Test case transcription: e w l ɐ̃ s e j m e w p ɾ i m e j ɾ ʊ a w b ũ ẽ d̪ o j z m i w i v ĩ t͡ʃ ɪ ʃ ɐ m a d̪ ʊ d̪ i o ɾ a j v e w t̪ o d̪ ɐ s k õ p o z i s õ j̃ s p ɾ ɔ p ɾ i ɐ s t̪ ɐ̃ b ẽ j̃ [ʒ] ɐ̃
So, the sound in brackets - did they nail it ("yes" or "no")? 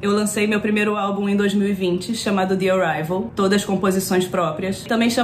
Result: no